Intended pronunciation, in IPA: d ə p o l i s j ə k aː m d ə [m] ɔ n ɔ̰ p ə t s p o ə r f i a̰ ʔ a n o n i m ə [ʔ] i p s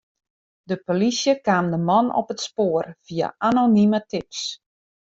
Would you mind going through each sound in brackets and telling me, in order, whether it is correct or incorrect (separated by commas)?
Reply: correct, incorrect